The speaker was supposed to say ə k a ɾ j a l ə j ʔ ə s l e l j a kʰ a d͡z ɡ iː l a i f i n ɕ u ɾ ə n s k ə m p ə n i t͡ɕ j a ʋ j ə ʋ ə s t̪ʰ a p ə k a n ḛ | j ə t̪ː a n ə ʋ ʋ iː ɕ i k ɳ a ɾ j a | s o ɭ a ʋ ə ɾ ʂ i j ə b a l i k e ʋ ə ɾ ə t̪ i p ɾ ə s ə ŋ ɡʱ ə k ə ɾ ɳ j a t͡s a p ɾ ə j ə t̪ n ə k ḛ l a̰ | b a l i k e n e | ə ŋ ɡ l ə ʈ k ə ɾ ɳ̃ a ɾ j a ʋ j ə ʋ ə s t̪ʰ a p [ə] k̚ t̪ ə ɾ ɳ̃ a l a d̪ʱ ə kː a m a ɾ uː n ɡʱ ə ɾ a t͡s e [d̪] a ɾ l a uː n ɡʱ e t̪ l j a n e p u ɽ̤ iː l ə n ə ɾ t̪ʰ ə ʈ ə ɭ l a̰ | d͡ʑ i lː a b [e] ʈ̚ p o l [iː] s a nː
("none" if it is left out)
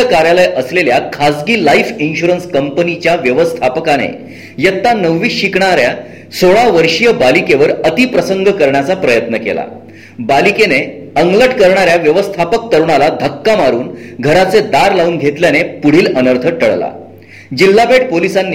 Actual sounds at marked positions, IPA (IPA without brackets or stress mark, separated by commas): ə, d̪, e, i